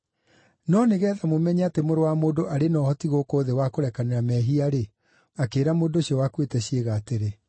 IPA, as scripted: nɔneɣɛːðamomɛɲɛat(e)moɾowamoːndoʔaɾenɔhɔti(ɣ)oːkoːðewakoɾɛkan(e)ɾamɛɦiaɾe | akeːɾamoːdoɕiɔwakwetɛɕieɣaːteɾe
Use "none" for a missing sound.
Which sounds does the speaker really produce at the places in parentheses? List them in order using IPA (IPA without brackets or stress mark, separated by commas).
e, ɣ, e